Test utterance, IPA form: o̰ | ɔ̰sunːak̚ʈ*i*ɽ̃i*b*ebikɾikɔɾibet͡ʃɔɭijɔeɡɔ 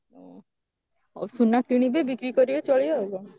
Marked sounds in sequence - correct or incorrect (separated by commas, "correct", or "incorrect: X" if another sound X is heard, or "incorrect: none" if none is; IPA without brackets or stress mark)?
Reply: correct, correct